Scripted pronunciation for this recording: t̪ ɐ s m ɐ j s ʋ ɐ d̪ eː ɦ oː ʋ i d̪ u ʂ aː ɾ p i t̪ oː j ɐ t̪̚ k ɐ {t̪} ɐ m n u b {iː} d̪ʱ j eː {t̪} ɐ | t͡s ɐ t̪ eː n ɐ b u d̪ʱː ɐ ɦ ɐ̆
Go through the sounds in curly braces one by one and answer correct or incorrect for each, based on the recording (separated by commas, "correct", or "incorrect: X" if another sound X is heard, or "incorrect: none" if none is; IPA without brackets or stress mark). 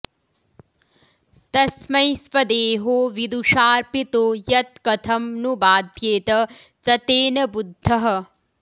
incorrect: t̪ʰ, incorrect: aː, correct